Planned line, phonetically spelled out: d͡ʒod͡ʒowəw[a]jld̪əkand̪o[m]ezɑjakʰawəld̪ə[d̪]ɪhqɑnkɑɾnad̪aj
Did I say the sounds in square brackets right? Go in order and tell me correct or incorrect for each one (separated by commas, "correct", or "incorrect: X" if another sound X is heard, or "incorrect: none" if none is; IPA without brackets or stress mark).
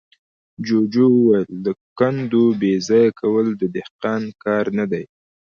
correct, incorrect: b, correct